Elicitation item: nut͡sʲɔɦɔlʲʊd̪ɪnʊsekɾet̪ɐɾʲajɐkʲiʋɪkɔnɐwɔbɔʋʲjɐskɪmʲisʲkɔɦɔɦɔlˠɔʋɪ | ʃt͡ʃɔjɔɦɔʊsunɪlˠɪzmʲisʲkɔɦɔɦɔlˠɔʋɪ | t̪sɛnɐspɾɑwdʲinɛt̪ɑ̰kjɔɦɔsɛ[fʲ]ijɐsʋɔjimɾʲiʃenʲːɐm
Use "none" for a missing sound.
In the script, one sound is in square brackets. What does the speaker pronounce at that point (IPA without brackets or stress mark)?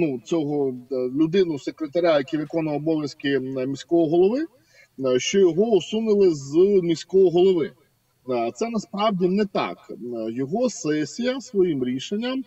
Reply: sʲ